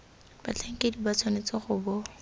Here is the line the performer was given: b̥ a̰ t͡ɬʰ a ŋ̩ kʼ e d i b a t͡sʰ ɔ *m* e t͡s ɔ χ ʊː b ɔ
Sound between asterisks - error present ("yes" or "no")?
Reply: yes